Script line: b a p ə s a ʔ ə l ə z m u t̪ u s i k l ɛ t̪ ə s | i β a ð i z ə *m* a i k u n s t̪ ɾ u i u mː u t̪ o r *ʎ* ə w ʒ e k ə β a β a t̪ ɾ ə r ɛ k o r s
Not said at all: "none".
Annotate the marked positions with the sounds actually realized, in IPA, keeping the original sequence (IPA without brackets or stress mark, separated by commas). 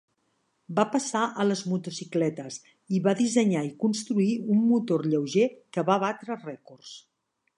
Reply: ɲ, ʎ